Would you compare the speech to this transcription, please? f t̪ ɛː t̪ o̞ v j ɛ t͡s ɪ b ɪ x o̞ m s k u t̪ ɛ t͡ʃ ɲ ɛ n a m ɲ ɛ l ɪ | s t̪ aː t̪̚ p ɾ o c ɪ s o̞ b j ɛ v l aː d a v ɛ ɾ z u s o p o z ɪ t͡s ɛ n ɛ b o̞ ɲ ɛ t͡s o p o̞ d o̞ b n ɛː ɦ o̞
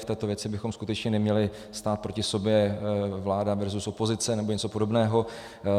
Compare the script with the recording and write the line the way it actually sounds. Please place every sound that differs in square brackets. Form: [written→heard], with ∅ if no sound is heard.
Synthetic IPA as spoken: f t̪ ɛː t̪ o̞ v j ɛ t͡s ɪ b ɪ x o̞ m s k u t̪ ɛ t͡ʃ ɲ ɛ n [a→ɛ] m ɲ ɛ l ɪ | s t̪ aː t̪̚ p ɾ o c ɪ s o̞ b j ɛ v l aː d a v ɛ ɾ z u s o p o z ɪ t͡s ɛ n ɛ b o̞ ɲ ɛ t͡s o p o̞ d o̞ b n ɛː ɦ o̞